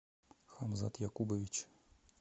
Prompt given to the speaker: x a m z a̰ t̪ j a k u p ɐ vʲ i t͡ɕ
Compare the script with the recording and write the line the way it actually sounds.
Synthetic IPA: x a m z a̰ t̪ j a k u b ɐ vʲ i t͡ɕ